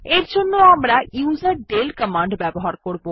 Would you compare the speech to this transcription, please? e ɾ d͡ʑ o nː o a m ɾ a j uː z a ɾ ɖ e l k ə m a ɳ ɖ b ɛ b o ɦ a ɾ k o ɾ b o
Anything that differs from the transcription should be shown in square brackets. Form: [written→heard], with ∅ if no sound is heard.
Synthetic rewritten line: e ɾ d͡ʑ o nː o a m ɾ a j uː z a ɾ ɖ e l k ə m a ɳ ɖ b ɛ b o ɦ a ɾ k o ɾ b o

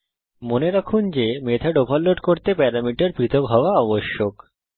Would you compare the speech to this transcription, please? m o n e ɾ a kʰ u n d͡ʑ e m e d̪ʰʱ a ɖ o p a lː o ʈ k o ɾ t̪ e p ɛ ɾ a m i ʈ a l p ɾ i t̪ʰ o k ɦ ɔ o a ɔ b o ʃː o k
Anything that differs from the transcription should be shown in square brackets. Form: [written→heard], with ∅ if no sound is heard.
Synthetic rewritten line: m o n e ɾ a kʰ u n d͡ʑ e m e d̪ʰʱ a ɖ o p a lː o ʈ k o ɾ t̪ e p ɛ ɾ a m i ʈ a [l→ɾ] p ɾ i t̪ʰ o k ɦ ɔ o a ɔ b o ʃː o k

